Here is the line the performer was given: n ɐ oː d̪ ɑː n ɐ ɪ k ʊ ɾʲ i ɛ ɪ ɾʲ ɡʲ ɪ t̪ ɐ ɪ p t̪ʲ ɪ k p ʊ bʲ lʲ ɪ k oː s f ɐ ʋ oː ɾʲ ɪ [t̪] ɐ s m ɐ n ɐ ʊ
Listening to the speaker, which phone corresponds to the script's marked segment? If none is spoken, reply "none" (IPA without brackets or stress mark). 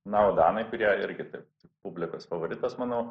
t̪